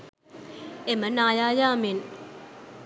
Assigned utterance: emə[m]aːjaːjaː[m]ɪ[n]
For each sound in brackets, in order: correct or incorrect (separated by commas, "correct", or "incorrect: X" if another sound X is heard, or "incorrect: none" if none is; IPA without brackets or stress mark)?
incorrect: n, correct, correct